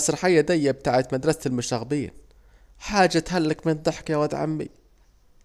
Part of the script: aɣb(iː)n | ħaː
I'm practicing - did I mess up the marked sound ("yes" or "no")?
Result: no